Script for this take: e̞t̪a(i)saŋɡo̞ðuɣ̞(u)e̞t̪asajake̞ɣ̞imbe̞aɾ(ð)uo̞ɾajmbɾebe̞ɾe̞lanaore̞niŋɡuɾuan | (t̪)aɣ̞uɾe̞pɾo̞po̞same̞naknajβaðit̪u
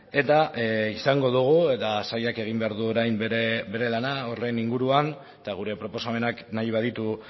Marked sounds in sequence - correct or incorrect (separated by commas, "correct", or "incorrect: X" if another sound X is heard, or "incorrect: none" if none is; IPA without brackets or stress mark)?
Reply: correct, correct, correct, correct